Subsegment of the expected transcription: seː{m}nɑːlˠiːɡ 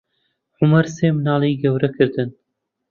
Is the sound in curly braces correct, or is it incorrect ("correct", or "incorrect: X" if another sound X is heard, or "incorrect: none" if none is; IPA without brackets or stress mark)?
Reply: correct